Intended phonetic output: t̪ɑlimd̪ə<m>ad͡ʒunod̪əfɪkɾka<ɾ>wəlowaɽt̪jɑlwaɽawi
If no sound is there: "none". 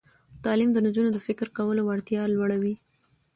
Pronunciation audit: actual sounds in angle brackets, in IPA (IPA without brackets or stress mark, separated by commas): n, none